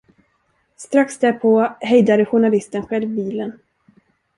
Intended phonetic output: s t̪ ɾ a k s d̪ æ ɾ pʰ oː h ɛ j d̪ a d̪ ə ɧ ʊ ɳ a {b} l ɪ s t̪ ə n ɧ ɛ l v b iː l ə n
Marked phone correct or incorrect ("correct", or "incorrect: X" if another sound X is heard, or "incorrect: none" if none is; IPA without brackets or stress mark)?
incorrect: none